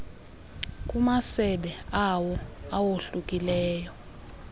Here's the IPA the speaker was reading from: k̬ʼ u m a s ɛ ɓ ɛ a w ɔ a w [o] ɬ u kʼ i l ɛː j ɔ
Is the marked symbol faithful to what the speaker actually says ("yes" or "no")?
yes